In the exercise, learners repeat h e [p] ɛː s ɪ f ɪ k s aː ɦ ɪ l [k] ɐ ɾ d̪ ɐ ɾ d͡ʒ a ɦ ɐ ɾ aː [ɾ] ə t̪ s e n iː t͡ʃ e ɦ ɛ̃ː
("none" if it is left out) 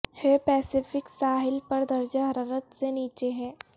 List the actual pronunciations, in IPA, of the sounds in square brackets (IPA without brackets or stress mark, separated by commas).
p, p, ɾ